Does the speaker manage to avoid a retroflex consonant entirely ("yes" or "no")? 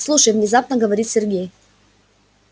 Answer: no